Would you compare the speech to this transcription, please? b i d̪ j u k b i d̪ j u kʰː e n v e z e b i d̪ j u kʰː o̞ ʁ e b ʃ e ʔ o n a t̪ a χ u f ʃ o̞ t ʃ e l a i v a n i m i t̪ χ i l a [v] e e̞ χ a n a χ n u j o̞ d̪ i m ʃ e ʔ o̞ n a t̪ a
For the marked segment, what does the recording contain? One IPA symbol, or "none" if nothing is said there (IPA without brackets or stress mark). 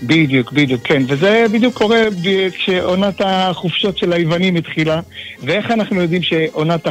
v